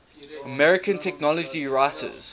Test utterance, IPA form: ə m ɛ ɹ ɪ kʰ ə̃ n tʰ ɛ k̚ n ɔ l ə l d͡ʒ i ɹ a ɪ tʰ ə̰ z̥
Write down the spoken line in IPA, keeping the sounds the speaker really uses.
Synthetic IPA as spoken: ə m ɛ ɹ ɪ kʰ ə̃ n tʰ ɛ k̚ n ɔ l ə d͡ʒ i ɹ a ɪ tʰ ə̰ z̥